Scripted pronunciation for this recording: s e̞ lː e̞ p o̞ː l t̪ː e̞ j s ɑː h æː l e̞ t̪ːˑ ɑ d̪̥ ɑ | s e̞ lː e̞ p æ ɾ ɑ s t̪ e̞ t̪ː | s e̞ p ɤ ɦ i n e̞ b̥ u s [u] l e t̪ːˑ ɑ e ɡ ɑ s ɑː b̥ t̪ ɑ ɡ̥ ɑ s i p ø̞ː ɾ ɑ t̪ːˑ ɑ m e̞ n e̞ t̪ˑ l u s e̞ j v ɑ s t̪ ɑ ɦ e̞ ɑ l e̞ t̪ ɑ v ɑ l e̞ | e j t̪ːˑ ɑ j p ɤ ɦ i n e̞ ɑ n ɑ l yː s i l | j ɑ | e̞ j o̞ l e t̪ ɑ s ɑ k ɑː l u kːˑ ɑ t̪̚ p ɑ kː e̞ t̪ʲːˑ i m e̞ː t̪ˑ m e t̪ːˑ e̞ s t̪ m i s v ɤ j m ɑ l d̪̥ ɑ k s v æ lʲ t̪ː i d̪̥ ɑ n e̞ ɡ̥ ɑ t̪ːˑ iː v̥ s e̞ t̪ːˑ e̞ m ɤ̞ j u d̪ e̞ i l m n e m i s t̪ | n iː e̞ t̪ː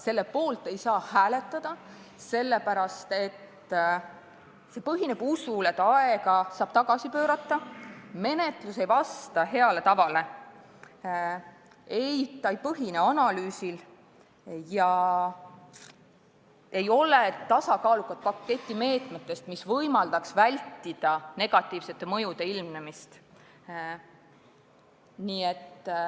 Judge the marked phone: correct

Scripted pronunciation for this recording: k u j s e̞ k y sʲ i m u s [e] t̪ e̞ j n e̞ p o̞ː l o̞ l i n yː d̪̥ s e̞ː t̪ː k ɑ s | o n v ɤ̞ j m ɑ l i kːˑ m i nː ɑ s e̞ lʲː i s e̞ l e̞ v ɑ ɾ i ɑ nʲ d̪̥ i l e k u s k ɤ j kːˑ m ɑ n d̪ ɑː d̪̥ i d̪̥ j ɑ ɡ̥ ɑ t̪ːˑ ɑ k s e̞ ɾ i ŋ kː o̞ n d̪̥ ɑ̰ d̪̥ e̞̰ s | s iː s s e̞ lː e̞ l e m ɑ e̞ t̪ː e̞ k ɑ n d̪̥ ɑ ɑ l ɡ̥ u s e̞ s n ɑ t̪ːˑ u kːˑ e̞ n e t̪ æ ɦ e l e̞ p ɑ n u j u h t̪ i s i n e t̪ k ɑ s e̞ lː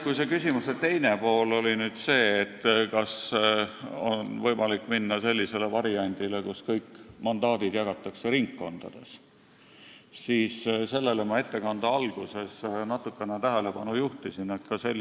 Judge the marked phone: correct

